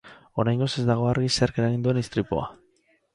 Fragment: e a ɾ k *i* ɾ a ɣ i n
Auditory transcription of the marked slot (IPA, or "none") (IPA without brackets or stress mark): e